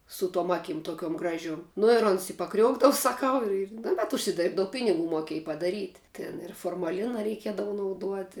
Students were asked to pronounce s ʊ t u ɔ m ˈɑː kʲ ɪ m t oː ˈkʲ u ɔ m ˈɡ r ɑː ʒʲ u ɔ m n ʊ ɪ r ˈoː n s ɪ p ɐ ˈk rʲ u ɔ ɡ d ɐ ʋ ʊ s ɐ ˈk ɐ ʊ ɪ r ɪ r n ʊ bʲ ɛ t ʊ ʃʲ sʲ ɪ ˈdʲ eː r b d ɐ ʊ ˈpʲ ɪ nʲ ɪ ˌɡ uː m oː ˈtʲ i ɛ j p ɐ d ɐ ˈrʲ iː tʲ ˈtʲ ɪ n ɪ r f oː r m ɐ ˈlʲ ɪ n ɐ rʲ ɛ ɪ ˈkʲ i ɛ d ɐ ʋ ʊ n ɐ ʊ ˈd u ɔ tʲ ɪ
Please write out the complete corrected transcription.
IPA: s ʊ t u ɔ m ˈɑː kʲ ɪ m t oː ˈkʲ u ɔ m ˈɡ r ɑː ʒʲ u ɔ m n ʊ ɪ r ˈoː n s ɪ p ɐ ˈk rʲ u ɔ ɡ d ɐ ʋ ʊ s ɐ ˈk ɐ ʊ ɪ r ɪ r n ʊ bʲ ɛ t ʊ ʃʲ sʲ ɪ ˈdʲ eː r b d ɐ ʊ ˈpʲ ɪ nʲ ɪ ˌɡ uː m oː ˈkʲ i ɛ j p ɐ d ɐ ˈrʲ iː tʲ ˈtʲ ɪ n ɪ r f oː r m ɐ ˈlʲ ɪ n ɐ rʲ ɛ ɪ ˈkʲ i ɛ d ɐ ʋ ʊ n ɐ ʊ ˈd u ɔ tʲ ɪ

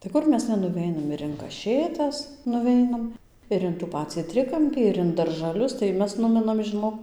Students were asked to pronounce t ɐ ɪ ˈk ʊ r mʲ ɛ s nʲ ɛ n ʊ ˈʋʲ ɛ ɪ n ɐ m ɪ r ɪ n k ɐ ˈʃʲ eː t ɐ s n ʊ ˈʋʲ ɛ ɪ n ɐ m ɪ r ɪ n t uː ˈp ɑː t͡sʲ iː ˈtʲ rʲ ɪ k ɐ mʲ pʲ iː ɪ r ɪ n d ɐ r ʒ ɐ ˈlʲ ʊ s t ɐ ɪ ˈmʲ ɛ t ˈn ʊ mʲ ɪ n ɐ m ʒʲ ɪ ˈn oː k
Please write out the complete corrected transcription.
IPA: t ɐ ɪ ˈk ʊ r mʲ ɛ s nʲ ɛ n ʊ ˈʋʲ ɛ ɪ n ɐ m ɪ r ɪ n k ɐ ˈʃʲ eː t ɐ s n ʊ ˈʋʲ ɛ ɪ n ɐ m ɪ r ɪ n t uː ˈp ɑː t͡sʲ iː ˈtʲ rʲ ɪ k ɐ mʲ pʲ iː ɪ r ɪ n d ɐ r ʒ ɐ ˈlʲ ʊ s t ɐ ɪ ˈmʲ ɛ s ˈn ʊ mʲ ɪ n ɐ m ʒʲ ɪ ˈn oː k

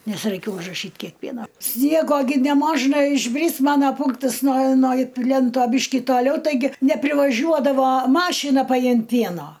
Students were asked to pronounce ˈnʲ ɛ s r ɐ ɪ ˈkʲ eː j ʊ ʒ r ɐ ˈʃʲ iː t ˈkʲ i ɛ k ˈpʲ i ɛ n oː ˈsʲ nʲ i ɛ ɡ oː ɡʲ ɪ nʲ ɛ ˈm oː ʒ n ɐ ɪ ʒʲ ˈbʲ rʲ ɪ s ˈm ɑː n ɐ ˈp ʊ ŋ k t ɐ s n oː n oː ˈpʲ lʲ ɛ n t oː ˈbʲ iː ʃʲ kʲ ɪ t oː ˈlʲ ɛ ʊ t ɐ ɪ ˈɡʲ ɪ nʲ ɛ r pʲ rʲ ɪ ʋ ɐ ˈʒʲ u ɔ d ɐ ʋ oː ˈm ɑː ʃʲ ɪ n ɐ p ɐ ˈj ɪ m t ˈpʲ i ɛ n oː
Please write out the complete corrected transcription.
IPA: ˈnʲ ɛ s r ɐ ɪ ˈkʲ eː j ʊ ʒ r ɐ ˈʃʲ iː t ˈkʲ i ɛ k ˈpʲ i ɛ n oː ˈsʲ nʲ i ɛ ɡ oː ɡʲ ɪ nʲ ɛ ˈm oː ʒ n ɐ ɪ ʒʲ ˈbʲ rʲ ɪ s ˈm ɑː n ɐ ˈp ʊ ŋ k t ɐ s n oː n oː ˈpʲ lʲ ɛ n t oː ˈbʲ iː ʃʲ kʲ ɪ t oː ˈlʲ ɛ ʊ t ɐ ɪ ˈɡʲ ɪ nʲ ɛ pʲ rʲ ɪ ʋ ɐ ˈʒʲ u ɔ d ɐ ʋ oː ˈm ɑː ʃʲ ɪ n ɐ p ɐ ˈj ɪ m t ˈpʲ i ɛ n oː

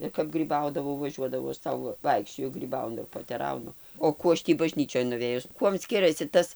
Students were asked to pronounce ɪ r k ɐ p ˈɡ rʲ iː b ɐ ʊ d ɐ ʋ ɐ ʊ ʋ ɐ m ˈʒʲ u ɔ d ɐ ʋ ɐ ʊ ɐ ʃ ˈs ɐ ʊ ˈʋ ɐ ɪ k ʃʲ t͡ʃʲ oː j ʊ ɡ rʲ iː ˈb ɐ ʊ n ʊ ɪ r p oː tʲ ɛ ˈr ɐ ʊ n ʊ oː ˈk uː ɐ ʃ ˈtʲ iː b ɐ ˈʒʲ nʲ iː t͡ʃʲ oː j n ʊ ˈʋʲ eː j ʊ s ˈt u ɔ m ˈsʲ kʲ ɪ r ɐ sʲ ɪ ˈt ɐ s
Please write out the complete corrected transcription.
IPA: ɪ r k ɐ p ˈɡ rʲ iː b ɐ ʊ d ɐ ʋ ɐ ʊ ʋ ɐ ˈʒʲ u ɔ d ɐ ʋ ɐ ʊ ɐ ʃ ˈs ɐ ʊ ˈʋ ɐ ɪ k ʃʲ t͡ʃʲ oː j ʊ ɡ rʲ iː ˈb ɐ ʊ n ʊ ɪ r p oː tʲ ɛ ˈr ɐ ʊ n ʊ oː ˈk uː ɐ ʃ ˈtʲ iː b ɐ ˈʒʲ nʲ iː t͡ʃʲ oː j n ʊ ˈʋʲ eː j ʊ s ˈk u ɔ m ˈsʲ kʲ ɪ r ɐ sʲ ɪ ˈt ɐ s

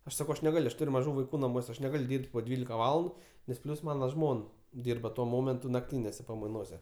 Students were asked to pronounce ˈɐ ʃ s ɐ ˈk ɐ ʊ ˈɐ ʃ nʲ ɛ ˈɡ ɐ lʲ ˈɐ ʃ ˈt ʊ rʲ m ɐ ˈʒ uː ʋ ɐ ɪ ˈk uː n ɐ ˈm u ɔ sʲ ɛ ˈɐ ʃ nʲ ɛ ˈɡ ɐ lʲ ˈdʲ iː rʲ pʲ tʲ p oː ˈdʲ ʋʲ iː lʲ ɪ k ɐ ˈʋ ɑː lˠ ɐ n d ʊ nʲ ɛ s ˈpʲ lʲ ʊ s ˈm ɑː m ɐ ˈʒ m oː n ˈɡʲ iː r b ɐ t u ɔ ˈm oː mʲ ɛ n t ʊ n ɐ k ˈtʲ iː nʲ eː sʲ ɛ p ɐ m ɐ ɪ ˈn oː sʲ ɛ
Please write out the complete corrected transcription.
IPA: ˈɐ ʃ s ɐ ˈk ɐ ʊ ˈɐ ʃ nʲ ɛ ˈɡ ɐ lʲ ˈɐ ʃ ˈt ʊ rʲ m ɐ ˈʒ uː ʋ ɐ ɪ ˈk uː n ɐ ˈm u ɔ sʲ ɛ ˈɐ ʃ nʲ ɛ ˈɡ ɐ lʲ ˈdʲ iː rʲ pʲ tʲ p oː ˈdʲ ʋʲ iː lʲ ɪ k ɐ ˈʋ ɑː lˠ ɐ n d ʊ nʲ ɛ s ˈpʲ lʲ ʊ s ˈm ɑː n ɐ ˈʒ m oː n ˈdʲ iː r b ɐ t u ɔ ˈm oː mʲ ɛ n t ʊ n ɐ k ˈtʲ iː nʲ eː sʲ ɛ p ɐ m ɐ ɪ ˈn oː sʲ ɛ

